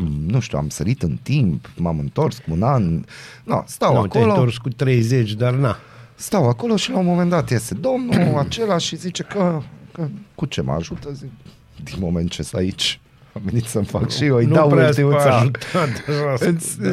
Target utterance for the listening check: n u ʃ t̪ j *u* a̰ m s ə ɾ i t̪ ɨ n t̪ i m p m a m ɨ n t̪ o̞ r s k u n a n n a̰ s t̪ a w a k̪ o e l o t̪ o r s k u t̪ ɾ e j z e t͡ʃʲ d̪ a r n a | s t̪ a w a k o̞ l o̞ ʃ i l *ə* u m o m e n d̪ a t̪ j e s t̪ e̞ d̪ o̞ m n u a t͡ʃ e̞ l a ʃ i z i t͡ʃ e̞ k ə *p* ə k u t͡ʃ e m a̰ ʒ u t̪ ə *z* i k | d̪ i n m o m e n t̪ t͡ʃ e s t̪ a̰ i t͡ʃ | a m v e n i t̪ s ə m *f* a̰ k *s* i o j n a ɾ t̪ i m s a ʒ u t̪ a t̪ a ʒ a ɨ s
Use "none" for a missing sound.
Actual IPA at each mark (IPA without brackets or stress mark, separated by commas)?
u, a, k, z, f, ʃ